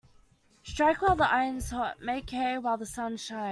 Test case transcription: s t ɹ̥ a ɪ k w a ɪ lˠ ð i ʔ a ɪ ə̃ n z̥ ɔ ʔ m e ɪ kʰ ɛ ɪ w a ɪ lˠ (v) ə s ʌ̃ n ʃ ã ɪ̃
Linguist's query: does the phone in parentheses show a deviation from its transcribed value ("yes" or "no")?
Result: yes